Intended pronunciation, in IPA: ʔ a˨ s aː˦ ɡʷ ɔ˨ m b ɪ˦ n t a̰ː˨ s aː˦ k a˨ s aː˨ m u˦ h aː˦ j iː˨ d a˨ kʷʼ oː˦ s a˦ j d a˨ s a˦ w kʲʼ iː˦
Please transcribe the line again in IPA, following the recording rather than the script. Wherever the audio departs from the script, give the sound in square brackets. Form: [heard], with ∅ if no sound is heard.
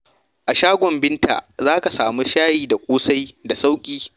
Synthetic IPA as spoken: ʔ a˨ [ʃ] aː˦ ɡʷ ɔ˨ m b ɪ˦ n t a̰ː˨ [z] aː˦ k a˨ s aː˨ m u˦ [ʃ] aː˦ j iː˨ d a˨ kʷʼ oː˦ s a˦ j d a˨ s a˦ w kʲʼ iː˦

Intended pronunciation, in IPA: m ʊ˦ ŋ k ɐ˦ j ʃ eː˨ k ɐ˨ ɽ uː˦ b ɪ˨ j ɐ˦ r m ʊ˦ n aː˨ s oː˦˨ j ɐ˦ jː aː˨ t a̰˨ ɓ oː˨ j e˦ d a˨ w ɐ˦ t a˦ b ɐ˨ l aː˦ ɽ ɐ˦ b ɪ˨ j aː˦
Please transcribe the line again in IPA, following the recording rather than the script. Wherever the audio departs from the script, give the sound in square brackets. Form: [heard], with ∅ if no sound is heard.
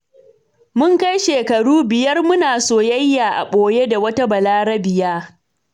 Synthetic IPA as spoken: m ʊ˦ ŋ k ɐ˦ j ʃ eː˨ k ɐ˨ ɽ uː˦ b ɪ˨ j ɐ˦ r m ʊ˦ n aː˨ s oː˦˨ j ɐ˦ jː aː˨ [ʔ] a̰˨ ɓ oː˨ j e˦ d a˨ w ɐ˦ t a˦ b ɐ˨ l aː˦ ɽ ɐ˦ b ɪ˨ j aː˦

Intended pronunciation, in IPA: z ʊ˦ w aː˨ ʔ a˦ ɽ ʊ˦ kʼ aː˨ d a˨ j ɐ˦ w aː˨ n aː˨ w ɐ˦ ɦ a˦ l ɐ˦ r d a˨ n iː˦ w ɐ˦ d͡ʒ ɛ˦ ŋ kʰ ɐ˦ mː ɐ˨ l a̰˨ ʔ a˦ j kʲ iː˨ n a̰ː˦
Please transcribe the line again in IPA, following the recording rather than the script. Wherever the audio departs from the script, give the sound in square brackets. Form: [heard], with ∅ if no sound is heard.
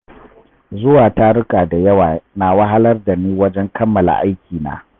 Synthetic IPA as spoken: z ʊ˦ w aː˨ [t] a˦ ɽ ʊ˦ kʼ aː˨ d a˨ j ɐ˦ w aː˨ n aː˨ w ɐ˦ ɦ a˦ l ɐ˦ r d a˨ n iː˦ w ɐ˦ d͡ʒ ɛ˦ ŋ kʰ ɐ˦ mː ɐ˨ l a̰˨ ʔ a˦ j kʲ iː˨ n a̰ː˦

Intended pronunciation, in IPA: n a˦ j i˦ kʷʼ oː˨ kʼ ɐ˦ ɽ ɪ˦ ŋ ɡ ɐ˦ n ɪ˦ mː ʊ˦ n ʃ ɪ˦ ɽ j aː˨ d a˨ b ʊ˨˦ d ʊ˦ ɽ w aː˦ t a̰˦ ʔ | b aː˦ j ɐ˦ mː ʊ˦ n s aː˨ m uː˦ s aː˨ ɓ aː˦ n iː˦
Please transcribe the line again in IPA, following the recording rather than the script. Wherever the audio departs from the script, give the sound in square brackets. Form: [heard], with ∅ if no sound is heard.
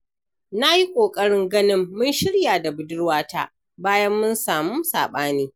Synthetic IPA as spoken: n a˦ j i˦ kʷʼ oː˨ kʼ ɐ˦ ɽ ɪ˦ ŋ ɡ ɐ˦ n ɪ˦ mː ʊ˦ n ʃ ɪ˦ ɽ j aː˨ d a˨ b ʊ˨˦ d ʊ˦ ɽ w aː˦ t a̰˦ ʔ | b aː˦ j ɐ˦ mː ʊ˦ n s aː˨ m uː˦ s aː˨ ɓ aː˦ n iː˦

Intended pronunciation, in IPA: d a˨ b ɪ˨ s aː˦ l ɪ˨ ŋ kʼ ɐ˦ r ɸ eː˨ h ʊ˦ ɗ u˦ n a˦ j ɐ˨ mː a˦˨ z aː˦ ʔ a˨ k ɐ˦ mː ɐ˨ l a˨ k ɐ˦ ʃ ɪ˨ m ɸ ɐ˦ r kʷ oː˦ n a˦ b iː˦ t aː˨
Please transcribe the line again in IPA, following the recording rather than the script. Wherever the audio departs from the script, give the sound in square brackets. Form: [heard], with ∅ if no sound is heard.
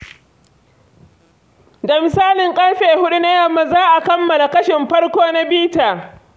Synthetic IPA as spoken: d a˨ [m] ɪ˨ s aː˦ l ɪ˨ ŋ kʼ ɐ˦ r ɸ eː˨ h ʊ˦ ɗ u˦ n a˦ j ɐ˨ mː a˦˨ z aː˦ ʔ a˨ k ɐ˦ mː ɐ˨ l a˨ k ɐ˦ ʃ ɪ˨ m ɸ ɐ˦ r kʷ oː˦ n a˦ b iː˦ t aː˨

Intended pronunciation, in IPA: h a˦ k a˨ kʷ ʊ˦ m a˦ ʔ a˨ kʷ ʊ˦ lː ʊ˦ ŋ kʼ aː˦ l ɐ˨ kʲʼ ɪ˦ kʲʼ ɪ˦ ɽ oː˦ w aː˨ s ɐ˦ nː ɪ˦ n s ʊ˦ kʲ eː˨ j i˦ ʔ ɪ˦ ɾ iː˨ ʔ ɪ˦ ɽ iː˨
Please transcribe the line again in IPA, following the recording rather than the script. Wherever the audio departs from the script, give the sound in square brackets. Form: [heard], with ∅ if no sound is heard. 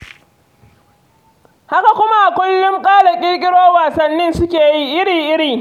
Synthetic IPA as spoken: h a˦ k a˨ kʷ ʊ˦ m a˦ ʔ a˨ kʷ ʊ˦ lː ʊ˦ ŋ kʼ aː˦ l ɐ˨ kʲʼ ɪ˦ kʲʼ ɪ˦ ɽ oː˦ w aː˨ s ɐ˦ nː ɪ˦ n s ʊ˦ kʲ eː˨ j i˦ ʔ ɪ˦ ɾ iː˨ ʔ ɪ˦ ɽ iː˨

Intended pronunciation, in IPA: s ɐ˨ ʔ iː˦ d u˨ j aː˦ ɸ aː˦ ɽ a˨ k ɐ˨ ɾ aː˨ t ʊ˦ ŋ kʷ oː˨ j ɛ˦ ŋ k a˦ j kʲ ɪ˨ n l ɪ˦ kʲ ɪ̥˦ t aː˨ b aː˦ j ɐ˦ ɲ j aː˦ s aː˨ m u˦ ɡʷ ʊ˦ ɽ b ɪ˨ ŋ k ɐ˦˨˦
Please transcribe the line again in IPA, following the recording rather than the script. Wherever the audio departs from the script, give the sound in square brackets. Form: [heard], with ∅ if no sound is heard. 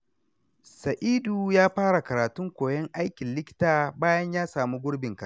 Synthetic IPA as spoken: s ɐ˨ ʔ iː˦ d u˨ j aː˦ ɸ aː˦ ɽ a˨ k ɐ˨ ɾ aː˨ t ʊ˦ ŋ kʷ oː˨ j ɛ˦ ŋ [ʔ] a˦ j kʲ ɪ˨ n l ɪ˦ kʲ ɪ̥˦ t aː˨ b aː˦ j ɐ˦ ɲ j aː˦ s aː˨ m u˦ ɡʷ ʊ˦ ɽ b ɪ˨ ŋ k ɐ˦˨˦

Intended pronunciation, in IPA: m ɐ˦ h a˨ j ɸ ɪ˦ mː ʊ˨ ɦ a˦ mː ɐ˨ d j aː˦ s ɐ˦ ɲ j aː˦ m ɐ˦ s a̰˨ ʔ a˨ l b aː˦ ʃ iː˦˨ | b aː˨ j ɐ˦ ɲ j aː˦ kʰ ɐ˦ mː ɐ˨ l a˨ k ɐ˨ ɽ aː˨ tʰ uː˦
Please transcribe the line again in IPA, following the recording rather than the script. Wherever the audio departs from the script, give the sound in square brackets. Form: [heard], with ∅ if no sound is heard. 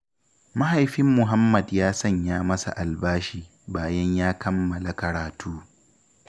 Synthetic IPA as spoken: m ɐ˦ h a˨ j ɸ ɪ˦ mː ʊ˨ ɦ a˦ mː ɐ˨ d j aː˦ s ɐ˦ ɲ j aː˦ m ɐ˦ s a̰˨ ʔ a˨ l b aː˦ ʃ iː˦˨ | b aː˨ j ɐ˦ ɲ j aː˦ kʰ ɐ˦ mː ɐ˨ l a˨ k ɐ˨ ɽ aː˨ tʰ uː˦

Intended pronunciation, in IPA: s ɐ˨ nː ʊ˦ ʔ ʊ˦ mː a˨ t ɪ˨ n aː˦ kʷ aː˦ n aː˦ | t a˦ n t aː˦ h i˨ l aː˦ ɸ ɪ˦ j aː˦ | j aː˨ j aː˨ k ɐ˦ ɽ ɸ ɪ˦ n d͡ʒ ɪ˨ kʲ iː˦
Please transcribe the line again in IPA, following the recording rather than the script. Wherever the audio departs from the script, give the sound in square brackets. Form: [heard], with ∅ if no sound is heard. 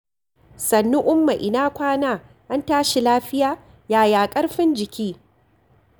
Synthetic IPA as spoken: s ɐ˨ nː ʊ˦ ʔ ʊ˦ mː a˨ [ʔ] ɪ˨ n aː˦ kʷ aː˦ n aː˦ | [ʔ] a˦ n t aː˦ [ʃ] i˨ l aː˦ ɸ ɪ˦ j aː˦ | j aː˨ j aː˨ [kʼ] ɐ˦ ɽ ɸ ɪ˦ n d͡ʒ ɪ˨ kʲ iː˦

